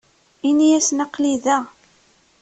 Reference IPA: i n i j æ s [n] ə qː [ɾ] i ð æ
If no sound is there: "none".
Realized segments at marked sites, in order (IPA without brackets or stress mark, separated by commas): n, l